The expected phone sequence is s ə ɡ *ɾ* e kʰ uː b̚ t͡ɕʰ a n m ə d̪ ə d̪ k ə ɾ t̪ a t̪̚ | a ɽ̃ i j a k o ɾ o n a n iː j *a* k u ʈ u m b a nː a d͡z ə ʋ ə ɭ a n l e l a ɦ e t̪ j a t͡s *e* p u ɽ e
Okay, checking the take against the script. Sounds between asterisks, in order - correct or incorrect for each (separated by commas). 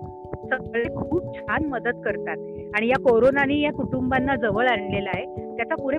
incorrect, correct, incorrect